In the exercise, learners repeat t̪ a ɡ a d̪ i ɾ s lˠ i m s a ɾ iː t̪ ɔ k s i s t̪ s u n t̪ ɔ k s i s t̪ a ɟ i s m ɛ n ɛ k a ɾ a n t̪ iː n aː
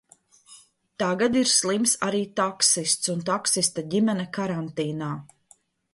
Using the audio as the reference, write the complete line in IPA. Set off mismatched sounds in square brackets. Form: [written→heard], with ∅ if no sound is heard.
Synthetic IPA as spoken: t̪ a ɡ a d̪ i ɾ s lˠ i m s a ɾ iː t̪ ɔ k s i s t̪ s u n t̪ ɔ k s i s t̪ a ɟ i [s→∅] m ɛ n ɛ k a ɾ a n t̪ iː n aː